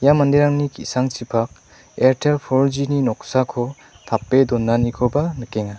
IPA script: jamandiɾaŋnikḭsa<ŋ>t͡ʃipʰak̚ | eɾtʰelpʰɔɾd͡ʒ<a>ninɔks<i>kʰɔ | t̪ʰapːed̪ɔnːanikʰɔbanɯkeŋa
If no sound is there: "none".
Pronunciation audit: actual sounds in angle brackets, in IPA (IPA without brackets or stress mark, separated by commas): ŋ, i, a